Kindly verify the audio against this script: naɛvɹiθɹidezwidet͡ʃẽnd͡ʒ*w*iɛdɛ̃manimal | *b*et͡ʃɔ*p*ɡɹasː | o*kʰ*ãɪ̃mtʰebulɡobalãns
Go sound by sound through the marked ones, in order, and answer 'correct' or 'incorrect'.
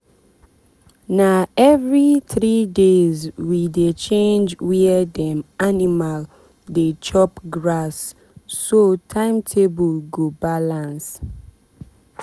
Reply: correct, incorrect: d, correct, incorrect: tʰ

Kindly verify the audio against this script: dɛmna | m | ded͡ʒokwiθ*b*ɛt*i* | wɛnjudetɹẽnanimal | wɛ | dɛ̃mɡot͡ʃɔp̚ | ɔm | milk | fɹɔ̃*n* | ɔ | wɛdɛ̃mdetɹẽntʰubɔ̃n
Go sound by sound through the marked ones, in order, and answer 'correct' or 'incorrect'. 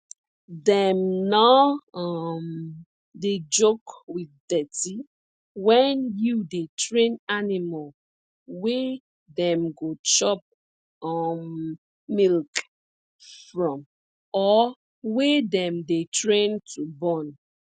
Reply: incorrect: d, correct, incorrect: m

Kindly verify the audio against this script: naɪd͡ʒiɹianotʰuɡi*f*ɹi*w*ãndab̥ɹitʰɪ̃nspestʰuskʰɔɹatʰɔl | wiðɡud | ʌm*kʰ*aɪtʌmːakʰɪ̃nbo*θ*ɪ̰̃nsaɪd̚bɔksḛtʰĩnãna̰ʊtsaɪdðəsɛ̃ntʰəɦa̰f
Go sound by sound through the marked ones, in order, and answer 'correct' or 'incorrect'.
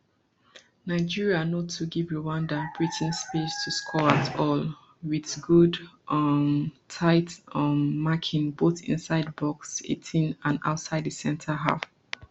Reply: incorrect: v, correct, incorrect: tʰ, correct

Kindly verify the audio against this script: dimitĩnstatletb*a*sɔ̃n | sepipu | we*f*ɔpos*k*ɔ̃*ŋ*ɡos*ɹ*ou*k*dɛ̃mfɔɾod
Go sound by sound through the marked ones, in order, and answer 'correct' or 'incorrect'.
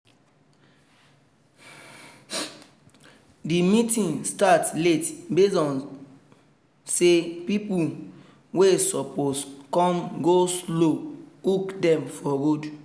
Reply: incorrect: e, incorrect: s, correct, incorrect: m, incorrect: l, correct

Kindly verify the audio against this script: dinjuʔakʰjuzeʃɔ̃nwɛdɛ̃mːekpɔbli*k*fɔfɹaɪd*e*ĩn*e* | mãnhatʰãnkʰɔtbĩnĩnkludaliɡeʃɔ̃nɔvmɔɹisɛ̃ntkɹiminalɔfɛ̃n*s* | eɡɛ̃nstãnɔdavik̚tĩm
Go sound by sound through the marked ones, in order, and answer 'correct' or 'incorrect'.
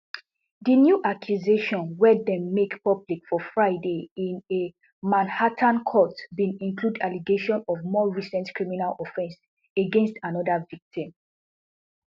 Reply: correct, correct, correct, correct

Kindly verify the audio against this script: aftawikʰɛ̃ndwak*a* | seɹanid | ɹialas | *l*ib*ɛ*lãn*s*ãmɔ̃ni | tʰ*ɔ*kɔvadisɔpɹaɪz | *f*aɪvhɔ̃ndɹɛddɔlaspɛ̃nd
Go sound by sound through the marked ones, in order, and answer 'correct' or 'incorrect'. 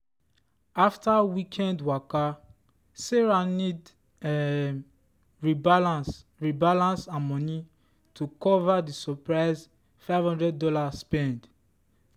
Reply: correct, incorrect: ɹ, incorrect: a, correct, incorrect: u, correct

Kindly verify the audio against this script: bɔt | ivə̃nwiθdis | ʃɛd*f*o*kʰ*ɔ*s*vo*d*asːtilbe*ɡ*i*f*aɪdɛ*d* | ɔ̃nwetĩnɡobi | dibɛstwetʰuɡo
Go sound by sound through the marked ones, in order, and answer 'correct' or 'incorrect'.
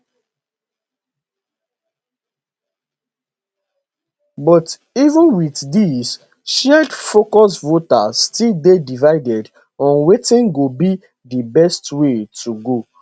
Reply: correct, incorrect: k, correct, incorrect: t, incorrect: d, incorrect: v, correct

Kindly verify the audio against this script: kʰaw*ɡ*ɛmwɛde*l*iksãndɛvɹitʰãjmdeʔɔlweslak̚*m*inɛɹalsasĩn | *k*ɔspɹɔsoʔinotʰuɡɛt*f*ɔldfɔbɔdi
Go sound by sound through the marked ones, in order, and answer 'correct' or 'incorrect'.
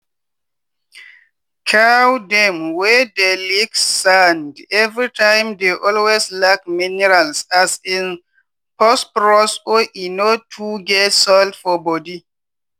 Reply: incorrect: d, correct, correct, incorrect: p, incorrect: s

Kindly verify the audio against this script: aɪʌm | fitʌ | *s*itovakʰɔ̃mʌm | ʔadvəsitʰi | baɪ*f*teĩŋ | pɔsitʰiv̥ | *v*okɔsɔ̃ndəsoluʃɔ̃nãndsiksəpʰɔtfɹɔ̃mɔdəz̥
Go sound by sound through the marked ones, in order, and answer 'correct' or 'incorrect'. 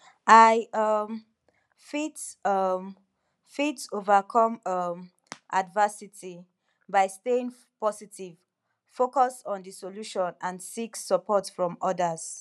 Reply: incorrect: f, incorrect: s, incorrect: f

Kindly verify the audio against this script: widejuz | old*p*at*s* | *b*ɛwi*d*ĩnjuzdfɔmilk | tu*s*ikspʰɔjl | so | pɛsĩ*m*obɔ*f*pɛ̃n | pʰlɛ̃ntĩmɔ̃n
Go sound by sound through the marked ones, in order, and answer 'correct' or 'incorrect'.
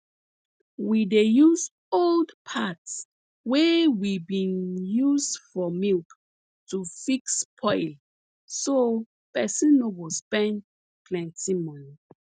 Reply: incorrect: pʰ, correct, incorrect: w, incorrect: b, incorrect: f, incorrect: n, incorrect: s

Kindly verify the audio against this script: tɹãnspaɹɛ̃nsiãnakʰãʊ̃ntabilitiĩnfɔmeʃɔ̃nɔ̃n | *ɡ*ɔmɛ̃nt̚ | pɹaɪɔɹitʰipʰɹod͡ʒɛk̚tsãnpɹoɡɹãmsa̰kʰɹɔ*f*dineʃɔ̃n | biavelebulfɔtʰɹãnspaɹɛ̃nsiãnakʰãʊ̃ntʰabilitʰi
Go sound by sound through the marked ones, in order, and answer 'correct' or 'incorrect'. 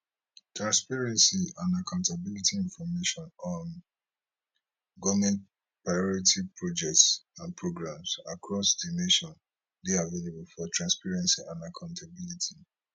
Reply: correct, incorrect: s

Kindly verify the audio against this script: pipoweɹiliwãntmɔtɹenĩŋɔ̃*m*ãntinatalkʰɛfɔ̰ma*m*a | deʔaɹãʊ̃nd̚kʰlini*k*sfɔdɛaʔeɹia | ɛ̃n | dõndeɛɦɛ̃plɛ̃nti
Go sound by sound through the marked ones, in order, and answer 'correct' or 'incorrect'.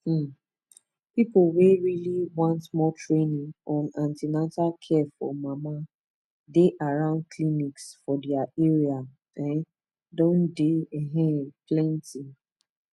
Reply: incorrect: n, correct, correct

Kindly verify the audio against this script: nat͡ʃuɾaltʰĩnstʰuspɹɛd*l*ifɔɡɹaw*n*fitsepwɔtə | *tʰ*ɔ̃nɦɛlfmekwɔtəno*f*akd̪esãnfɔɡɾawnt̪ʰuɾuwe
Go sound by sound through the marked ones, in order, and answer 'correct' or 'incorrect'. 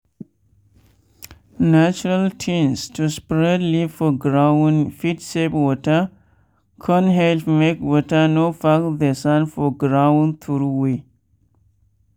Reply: correct, correct, incorrect: kʰ, correct

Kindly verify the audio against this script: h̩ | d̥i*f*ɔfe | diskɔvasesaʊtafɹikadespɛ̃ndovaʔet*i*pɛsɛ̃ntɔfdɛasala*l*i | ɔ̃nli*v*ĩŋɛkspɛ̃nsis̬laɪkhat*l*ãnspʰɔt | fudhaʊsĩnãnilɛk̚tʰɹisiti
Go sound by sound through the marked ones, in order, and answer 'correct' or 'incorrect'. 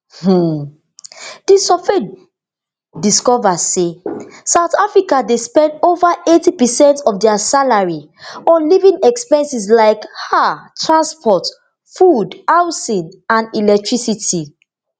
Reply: incorrect: s, correct, incorrect: ɹ, correct, incorrect: ɹ

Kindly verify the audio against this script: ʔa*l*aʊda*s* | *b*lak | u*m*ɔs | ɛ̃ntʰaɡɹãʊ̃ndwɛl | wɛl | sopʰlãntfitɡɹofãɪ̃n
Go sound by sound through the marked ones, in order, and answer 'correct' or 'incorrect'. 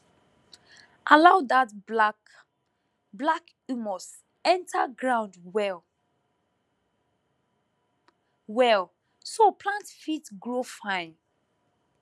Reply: correct, incorrect: t, correct, correct

